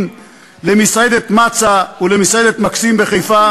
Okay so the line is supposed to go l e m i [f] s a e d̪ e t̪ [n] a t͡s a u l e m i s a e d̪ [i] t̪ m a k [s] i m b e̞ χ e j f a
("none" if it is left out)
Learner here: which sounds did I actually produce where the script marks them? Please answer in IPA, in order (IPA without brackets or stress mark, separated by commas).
none, m, e, s